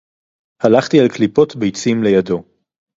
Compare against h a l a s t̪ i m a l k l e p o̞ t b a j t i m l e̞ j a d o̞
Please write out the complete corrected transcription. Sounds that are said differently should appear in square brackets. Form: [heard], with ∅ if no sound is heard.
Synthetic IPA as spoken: h a l a [χ] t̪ i [∅] a l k l [i] p o̞ t b [e] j [t͡s] i m l e̞ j a d o̞